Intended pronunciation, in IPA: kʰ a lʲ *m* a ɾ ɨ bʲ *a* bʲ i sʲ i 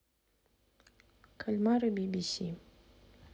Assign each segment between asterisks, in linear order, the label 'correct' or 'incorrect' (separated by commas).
correct, incorrect